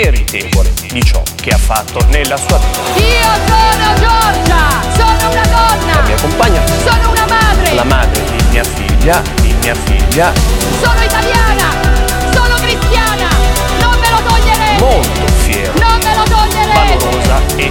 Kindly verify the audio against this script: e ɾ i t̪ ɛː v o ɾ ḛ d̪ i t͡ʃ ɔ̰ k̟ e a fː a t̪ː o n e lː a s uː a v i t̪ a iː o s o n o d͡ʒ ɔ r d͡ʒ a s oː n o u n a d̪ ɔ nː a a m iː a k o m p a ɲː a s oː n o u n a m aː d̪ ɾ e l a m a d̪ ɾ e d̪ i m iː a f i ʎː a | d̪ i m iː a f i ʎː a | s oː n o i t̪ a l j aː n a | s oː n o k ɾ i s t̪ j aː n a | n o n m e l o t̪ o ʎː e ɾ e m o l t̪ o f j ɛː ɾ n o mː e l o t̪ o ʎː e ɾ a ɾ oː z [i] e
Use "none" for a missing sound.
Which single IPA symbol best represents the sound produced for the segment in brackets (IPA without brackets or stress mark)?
a